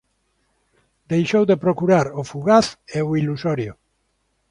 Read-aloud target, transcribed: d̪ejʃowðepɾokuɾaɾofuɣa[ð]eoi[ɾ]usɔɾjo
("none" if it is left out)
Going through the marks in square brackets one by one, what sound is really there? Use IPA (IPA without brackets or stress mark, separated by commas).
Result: θ, l